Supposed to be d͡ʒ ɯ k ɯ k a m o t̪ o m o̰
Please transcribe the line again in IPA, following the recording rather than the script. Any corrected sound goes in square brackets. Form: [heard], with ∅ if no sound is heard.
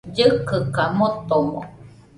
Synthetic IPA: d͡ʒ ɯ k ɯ k a m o t̪ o m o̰